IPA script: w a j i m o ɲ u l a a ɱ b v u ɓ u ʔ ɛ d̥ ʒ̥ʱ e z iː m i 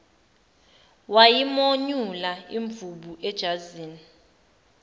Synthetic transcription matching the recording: w a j i m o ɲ u l a i ɱ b v u ɓ u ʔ ɛ d̥ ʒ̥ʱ a z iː n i